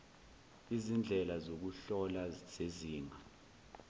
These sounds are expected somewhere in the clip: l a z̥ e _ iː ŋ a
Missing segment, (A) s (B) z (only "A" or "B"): B